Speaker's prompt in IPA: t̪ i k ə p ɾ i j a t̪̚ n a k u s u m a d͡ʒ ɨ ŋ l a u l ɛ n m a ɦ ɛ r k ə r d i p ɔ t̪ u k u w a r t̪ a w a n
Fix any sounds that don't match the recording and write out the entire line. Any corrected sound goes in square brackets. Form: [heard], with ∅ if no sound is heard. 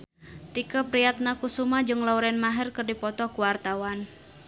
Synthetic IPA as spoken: t̪ i k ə p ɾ i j a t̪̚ n a k u s u m a d͡ʒ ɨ ŋ l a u [ɾ] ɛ n m a ɦ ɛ r k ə r d i p ɔ t̪ [ɔ] k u w a r t̪ a w a n